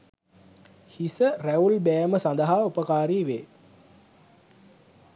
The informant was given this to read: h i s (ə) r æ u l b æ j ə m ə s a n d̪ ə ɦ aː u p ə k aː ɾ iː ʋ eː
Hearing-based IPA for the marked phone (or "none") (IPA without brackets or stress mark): ə